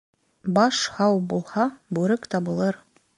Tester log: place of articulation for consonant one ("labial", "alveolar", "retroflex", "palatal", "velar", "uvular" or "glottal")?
labial